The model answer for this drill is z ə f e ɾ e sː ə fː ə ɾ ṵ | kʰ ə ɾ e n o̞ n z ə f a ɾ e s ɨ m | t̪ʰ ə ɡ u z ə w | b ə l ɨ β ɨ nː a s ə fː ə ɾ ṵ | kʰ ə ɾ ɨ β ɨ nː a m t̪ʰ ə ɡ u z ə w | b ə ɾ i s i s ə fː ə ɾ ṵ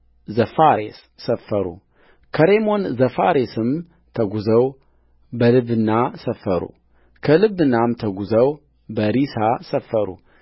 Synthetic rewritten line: z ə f a ɾ e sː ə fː ə ɾ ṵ | kʰ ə ɾ e m o̞ n z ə f a ɾ e s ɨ m | t̪ʰ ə ɡ u z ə w | b ə l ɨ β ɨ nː a s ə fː ə ɾ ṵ | kʰ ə l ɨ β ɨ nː a m t̪ʰ ə ɡ u z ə w | b ə ɾ i s a s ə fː ə ɾ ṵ

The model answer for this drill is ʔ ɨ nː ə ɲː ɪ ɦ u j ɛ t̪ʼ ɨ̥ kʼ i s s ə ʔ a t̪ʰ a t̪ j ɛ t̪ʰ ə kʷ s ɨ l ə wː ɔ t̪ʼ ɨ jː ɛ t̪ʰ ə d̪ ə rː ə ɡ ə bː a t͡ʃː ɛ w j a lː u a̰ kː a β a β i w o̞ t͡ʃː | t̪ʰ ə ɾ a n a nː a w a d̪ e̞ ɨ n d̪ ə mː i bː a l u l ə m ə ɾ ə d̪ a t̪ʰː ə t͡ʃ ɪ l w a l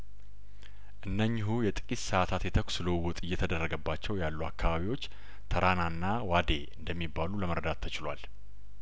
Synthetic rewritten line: ʔ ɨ nː ə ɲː ɪ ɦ u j ɛ t̪ʼ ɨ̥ kʼ i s s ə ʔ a t̪ʰ a t̪ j ɛ t̪ʰ ə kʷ s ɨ l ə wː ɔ t̪ʼ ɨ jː ɛ t̪ʰ ə d̪ ə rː ə ɡ ə bː a t͡ʃː ɛ w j a lː u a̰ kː a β a β i w o̞ t͡ʃː | t̪ʰ ə ɾ a n a nː a w a d̪ e̞ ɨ n d̪ ə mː i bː a l u l ə m ə ɾ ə d̪ a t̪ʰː ə t͡ʃ ɪ l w a l

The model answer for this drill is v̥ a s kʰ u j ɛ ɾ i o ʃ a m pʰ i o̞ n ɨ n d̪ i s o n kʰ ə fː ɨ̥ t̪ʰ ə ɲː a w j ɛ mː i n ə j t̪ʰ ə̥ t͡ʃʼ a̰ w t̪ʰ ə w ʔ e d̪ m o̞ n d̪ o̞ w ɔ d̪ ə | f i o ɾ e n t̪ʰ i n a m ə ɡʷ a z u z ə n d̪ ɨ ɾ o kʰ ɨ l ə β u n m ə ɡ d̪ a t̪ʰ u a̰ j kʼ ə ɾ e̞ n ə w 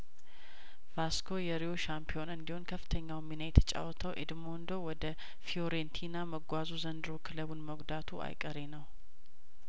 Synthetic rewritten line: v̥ a s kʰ o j ɛ ɾ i o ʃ a m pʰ i o̞ n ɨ n d̪ i h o n kʰ ə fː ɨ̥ t̪ʰ ə ɲː a w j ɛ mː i n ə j t̪ʰ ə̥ t͡ʃʼ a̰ w t̪ʰ ə w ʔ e d̪ m o̞ n d̪ o̞ w ɔ d̪ ə | f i o ɾ e n t̪ʰ i n a m ə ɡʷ a z u z ə n d̪ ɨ ɾ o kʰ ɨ l ə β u n m ə ɡ d̪ a t̪ʰ u a̰ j kʼ ə ɾ e̞ n ə w

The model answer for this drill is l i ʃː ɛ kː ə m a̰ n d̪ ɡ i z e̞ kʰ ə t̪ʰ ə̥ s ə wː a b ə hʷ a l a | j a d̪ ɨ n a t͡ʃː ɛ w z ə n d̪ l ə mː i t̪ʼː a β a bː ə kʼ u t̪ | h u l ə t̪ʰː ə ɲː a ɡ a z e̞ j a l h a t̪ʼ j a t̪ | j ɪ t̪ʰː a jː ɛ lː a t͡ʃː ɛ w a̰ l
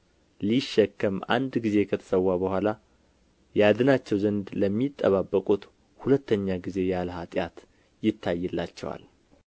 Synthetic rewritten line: l i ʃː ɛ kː ə m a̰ n d̪ ɡ i z e̞ kʰ ə t̪ʰ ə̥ s ə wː a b ə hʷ a l a | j a d̪ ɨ n a t͡ʃː ɛ w z ə n d̪ l ə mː i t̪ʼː ə β a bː ə kʼ u t̪ | h u l ə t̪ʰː ə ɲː a ɡ i z e̞ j a l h a t̪ʼ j a t̪ | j ɪ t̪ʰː a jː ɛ lː a t͡ʃː ɛ w a̰ l

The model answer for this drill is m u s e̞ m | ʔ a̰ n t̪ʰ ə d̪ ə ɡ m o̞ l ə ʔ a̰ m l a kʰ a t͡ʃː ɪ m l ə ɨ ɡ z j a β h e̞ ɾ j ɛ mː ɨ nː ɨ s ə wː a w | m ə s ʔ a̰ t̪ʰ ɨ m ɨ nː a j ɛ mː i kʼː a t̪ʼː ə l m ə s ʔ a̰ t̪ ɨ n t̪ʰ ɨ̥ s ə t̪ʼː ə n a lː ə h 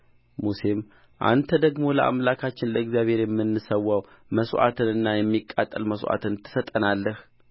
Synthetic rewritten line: m u s e̞ m | ʔ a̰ n t̪ʰ ə d̪ ə ɡ m o̞ l ə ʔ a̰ m l a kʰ a t͡ʃː ɪ n l ə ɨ ɡ z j a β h e̞ ɾ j ɛ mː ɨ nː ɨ s ə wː a w | m ə s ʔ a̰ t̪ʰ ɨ n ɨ nː a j ɛ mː i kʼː a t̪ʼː ə l m ə s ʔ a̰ t̪ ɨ n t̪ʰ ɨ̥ s ə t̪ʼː ə n a lː ə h

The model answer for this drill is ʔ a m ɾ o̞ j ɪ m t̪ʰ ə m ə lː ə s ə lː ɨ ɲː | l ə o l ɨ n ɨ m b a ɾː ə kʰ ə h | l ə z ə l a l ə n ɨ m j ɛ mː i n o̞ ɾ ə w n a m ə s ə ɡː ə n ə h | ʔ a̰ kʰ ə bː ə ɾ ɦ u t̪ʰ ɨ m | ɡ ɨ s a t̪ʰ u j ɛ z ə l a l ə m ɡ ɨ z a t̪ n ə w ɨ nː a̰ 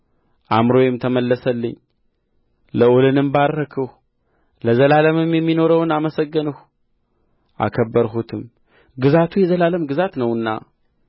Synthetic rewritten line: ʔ a m ɾ o̞ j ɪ m t̪ʰ ə m ə lː ə s ə lː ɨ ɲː | l ə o l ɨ n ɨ m b a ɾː ə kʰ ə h | l ə z ə l a l ə m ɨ m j ɛ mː i n o̞ ɾ ə w n a m ə s ə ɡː ə n ə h | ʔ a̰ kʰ ə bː ə ɾ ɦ u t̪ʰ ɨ m | ɡ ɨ z a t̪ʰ u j ɛ z ə l a l ə m ɡ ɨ z a t̪ n ə w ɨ nː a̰

